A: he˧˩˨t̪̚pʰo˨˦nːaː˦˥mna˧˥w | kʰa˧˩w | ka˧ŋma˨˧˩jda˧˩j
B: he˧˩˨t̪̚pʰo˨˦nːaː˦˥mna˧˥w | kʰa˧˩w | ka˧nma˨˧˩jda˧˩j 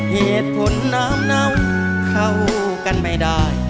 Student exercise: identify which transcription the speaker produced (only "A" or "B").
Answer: B